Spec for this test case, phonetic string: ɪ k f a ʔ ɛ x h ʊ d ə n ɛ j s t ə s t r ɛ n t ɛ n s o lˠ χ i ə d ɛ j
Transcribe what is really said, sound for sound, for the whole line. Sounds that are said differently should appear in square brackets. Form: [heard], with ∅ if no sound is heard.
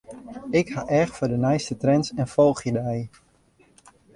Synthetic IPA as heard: ɪ k [h] a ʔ ɛ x [f] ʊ d ə n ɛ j s t ə [∅] t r ɛ n [s] ɛ n [f] o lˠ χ [j] ə d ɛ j